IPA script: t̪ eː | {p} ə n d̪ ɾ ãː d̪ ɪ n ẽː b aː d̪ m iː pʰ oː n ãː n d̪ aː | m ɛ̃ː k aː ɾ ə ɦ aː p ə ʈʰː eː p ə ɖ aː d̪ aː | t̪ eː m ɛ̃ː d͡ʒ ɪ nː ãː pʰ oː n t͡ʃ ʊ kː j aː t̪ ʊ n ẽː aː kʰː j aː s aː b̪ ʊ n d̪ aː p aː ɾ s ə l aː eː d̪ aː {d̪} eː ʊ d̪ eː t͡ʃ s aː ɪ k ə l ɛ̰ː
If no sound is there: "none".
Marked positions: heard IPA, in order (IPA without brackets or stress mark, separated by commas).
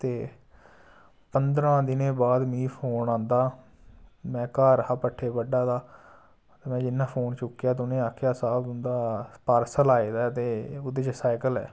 p, t̪